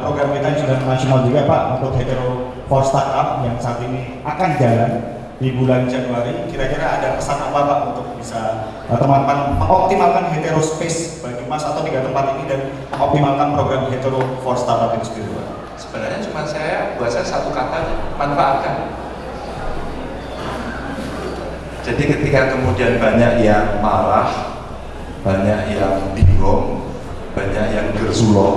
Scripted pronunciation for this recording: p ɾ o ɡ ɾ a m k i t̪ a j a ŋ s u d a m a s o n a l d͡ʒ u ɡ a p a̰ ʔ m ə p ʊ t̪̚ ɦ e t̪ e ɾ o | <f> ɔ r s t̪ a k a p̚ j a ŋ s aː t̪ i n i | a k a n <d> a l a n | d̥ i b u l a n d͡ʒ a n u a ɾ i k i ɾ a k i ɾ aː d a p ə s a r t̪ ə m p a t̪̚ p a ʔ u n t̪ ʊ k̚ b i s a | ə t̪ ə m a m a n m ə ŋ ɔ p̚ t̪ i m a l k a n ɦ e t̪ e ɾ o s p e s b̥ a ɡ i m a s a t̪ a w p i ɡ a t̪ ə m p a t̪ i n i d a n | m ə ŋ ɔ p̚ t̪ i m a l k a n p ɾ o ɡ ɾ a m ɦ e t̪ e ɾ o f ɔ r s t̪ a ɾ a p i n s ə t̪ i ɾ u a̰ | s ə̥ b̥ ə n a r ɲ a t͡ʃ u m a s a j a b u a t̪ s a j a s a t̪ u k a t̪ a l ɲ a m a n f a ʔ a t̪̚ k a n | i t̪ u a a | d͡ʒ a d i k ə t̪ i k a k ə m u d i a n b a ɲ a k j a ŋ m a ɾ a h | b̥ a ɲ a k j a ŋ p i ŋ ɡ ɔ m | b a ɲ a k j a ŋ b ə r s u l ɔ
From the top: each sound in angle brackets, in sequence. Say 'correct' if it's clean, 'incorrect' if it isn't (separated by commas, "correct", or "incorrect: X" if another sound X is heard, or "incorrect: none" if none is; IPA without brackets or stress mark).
correct, incorrect: d͡ʒ